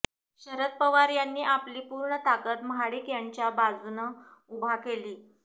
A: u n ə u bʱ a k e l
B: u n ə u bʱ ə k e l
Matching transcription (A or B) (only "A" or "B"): A